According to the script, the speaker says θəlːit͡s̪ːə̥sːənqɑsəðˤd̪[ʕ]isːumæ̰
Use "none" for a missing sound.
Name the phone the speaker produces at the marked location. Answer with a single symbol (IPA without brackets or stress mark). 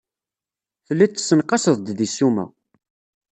ð